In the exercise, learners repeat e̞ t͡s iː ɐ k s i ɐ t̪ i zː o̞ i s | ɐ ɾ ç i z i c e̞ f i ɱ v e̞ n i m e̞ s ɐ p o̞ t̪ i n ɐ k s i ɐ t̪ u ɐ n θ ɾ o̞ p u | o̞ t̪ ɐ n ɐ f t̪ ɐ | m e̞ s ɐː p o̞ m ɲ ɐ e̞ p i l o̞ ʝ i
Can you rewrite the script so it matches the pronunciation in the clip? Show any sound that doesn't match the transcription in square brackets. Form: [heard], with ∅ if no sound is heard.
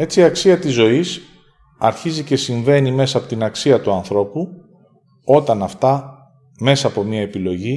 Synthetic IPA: e̞ t͡s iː ɐ k s i ɐ t̪ i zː o̞ i s | ɐ ɾ ç i z i c e̞ [s] i ɱ v e̞ n i m e̞ s ɐ p o̞ t̪ i n ɐ k s i ɐ t̪ u ɐ n θ ɾ o̞ p u | o̞ t̪ ɐ n ɐ f t̪ ɐ | m e̞ s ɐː p o̞ m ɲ ɐ e̞ p i l o̞ ʝ i